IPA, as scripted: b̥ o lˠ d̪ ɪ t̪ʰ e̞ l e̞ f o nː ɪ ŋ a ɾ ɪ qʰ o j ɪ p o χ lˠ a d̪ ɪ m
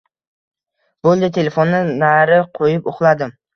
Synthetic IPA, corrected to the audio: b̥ o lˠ d̪ ɪ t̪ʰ e̞ l e̞ f o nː ɪ n a ɾ ɪ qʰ o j ɪ p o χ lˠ a d̪ ɪ m